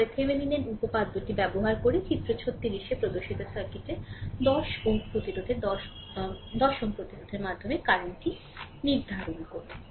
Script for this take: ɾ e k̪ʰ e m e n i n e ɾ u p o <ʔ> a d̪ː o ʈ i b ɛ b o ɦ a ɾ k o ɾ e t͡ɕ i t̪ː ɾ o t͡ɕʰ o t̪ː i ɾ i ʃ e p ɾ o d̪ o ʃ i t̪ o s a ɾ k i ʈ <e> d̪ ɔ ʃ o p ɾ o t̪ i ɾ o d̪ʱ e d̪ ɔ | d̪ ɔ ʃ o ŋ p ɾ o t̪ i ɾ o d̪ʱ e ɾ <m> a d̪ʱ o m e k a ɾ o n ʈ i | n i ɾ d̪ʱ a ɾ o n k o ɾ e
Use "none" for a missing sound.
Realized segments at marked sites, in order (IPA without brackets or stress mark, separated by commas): p, e, m